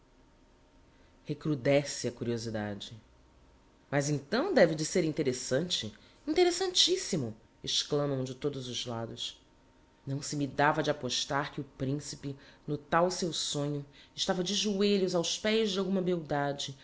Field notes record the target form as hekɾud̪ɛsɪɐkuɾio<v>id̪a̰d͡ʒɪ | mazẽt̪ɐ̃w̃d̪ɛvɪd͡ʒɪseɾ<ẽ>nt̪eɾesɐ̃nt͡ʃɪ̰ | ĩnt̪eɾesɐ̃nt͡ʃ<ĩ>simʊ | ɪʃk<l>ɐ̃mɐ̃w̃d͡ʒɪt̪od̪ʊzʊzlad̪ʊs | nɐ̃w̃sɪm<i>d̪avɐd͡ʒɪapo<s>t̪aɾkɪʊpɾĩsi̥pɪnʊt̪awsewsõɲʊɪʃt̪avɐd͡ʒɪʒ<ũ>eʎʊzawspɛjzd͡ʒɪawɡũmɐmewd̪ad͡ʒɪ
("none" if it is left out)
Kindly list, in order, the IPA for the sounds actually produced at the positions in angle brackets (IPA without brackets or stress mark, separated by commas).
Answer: z, ĩ, i, l, i, ʃ, u